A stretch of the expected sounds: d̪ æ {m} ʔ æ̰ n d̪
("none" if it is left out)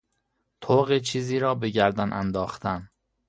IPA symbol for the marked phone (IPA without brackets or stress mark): n